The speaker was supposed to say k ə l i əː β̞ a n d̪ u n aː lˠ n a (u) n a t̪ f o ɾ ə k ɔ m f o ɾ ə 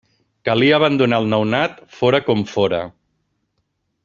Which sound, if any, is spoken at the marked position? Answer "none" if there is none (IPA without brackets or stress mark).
w